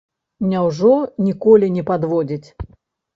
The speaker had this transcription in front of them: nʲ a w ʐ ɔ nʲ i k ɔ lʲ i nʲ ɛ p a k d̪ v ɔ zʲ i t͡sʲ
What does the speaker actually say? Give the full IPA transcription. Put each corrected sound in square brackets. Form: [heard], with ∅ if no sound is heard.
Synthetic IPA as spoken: nʲ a w ʐ ɔ nʲ i k ɔ lʲ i nʲ ɛ p a [∅] d̪ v ɔ [d͡zʲ] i t͡sʲ